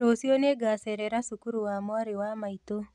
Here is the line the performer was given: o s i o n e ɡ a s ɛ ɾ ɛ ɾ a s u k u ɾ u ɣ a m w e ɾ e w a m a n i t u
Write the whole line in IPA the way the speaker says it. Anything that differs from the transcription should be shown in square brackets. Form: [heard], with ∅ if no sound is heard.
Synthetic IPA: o s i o n e ɡ a s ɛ ɾ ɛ ɾ a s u k u ɾ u [w] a m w [a] ɾ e w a m a [∅] i t [o]